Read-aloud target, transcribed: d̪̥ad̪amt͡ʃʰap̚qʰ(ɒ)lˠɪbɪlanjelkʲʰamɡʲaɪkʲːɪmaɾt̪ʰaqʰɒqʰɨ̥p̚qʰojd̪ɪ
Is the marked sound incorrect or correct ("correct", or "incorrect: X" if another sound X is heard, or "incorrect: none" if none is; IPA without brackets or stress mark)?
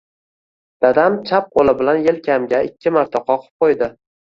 incorrect: o